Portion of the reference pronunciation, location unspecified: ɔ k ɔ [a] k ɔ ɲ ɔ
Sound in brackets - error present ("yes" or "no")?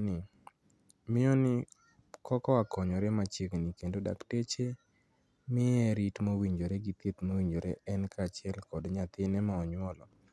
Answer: no